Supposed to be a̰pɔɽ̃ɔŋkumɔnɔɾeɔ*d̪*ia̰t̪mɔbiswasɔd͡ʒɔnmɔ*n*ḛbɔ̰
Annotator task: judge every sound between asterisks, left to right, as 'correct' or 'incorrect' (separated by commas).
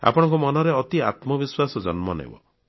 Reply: incorrect, correct